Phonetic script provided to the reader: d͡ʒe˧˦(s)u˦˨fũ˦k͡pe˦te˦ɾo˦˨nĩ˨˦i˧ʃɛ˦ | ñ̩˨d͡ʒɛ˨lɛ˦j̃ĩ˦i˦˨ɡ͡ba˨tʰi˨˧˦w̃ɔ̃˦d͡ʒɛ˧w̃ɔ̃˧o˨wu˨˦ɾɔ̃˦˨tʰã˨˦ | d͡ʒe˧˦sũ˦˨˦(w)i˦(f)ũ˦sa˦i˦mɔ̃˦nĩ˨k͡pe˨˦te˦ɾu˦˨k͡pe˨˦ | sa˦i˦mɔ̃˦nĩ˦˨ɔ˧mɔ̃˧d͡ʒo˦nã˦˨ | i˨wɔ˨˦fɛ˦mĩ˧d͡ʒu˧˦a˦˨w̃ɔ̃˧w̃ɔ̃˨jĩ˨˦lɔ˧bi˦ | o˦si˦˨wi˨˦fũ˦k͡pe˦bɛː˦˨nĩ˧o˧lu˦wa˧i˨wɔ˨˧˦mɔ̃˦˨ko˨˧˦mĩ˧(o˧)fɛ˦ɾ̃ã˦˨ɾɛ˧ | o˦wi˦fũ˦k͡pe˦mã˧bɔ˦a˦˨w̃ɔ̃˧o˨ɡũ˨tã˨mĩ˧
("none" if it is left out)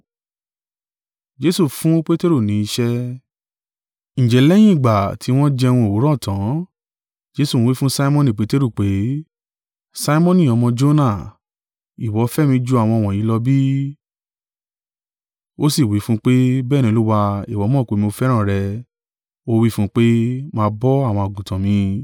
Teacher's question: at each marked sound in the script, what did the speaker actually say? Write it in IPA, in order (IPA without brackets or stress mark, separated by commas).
s, w, f, o˧